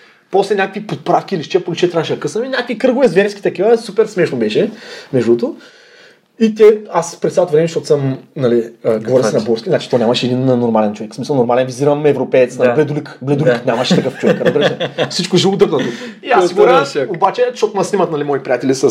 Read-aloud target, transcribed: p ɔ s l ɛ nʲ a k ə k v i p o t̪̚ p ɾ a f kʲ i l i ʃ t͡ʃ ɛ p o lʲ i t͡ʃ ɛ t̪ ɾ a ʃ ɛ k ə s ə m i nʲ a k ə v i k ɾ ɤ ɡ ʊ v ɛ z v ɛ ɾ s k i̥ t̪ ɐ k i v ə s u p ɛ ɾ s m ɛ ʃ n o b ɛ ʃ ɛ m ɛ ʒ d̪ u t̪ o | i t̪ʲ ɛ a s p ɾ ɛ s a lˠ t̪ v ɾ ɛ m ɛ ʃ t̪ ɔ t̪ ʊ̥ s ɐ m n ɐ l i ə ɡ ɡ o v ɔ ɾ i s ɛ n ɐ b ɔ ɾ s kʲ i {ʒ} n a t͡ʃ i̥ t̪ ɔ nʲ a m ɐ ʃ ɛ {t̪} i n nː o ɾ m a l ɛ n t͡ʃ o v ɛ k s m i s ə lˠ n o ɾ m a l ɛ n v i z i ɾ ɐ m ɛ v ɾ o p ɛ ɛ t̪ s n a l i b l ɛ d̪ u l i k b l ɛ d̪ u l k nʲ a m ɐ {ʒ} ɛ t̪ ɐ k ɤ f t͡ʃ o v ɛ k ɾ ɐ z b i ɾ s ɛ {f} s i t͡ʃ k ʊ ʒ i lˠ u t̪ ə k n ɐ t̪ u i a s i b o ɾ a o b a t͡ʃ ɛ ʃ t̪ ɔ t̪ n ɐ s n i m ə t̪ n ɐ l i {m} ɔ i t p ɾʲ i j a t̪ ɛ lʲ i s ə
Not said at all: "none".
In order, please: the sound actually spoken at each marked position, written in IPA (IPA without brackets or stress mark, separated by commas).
z, d̪, ʃ, f, m